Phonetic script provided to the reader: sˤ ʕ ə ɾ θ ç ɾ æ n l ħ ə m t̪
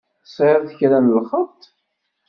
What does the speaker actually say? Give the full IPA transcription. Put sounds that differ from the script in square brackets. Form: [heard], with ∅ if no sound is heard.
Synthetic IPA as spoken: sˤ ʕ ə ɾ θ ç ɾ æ n l [χ] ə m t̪